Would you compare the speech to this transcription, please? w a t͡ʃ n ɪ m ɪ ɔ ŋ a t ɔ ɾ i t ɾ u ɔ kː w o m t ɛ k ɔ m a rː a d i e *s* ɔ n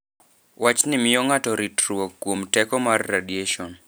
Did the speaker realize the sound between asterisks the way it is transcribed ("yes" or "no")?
no